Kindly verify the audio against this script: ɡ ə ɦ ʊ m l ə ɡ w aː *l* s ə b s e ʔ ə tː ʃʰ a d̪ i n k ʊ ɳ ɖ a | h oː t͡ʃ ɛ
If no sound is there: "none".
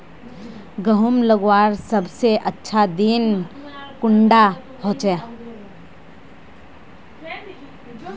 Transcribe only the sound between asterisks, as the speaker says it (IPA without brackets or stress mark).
ɾ